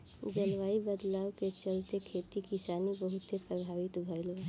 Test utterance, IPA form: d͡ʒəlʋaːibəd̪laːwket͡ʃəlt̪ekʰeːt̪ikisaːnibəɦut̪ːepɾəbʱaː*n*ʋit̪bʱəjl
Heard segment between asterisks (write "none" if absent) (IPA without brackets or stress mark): none